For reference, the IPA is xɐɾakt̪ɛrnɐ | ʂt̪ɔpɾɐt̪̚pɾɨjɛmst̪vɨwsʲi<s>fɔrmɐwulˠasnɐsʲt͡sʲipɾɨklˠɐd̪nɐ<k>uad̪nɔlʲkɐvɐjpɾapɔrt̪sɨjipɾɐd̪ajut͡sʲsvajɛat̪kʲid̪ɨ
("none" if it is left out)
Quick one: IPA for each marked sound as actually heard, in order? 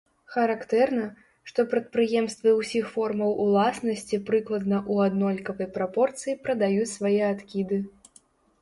x, ʔ

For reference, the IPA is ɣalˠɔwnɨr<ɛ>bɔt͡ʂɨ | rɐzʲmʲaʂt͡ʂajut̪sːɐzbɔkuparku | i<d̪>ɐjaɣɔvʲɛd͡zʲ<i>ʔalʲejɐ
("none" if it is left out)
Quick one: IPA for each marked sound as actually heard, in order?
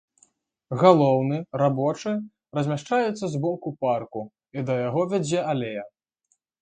a, d̪, ɛ

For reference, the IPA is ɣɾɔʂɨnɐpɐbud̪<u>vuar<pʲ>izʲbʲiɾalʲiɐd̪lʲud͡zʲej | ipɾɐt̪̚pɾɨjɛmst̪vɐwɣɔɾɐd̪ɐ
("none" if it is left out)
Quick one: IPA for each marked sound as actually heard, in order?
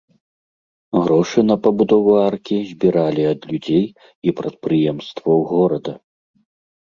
ɔ, kʲ

